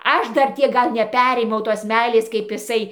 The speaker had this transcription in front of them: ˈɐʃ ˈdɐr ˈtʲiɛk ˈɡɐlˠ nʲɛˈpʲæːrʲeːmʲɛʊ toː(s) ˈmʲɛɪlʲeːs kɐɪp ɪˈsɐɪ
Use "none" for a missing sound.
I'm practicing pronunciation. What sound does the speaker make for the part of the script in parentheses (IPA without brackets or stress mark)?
s